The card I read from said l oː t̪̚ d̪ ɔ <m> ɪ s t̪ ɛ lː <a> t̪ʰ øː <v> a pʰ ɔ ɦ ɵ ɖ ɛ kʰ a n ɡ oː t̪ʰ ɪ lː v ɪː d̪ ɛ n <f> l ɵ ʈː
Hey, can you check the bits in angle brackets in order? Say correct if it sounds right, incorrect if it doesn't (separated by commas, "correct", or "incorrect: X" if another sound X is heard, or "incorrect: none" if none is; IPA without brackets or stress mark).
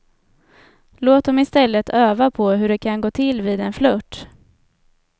correct, incorrect: ə, correct, correct